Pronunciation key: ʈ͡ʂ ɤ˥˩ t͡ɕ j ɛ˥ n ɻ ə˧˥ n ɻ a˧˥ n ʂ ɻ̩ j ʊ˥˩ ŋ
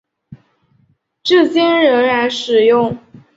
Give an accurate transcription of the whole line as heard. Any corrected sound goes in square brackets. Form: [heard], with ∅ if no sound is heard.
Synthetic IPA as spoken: ʈ͡ʂ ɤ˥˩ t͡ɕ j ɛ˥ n ɻ ə˧˥ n ɻ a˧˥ n ʂ ɻ̩ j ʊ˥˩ ŋ